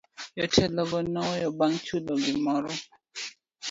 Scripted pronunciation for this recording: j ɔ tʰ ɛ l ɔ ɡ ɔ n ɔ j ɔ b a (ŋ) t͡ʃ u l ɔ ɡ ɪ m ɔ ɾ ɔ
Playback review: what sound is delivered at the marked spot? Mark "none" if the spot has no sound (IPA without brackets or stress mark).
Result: ŋ